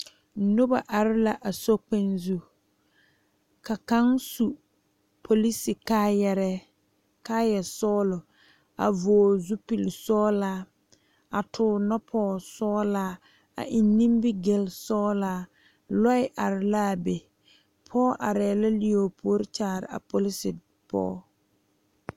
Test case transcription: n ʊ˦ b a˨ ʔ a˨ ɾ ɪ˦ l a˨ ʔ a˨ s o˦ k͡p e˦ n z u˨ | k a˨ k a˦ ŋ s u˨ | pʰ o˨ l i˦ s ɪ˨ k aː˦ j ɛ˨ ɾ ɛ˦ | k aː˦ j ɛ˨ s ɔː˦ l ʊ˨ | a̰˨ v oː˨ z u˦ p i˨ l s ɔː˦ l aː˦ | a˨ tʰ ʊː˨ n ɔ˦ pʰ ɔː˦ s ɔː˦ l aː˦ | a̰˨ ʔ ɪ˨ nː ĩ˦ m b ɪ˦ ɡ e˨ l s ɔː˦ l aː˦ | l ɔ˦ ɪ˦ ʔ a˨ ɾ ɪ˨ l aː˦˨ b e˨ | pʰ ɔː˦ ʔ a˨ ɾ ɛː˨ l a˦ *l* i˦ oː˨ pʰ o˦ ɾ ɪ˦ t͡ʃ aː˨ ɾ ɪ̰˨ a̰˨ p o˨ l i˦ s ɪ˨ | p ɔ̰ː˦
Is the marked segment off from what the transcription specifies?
no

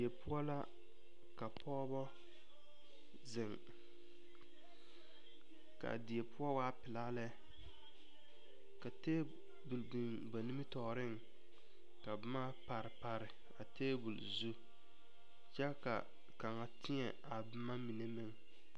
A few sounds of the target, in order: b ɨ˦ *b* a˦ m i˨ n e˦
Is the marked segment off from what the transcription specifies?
yes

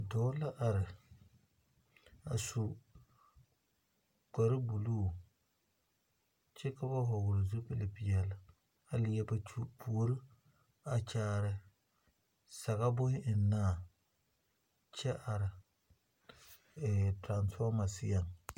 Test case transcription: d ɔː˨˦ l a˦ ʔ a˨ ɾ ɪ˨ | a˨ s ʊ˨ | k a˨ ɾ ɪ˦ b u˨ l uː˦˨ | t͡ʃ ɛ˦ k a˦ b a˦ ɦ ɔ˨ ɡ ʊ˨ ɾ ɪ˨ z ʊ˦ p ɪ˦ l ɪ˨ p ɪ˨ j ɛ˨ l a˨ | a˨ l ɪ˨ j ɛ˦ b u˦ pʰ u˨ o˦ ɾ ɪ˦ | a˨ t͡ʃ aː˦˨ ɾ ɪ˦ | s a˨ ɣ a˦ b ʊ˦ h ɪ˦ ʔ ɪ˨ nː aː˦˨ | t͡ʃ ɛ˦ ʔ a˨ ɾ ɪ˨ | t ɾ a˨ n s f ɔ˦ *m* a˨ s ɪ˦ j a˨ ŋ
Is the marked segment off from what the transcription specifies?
no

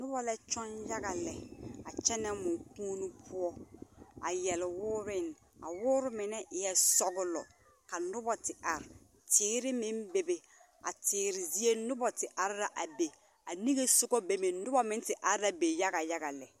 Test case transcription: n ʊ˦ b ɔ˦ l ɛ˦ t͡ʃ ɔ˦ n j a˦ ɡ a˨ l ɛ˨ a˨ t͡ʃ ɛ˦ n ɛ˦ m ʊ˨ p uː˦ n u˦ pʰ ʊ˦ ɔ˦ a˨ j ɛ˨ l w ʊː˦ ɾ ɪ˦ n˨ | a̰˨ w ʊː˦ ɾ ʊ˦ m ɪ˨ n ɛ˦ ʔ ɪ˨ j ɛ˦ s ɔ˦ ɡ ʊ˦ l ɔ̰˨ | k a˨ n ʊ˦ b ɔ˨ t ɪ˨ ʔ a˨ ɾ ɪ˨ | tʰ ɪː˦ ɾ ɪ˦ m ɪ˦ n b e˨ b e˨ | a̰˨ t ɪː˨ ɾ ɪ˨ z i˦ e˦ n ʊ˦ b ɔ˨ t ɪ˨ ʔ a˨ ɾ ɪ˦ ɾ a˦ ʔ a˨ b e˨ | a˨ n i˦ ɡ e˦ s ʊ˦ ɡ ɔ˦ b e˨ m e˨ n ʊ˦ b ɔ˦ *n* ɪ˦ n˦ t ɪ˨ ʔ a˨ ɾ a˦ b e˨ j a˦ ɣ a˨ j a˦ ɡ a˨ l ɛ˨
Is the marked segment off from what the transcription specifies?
yes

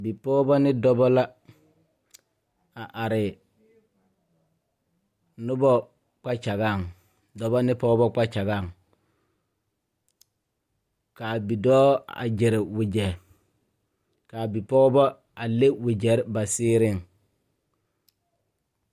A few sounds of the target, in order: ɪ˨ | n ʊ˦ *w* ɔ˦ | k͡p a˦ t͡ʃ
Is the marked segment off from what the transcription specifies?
yes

